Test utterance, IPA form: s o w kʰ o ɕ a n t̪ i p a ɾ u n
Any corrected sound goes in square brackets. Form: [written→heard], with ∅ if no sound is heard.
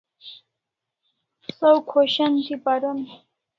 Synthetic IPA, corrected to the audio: s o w kʰ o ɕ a n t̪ i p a ɾ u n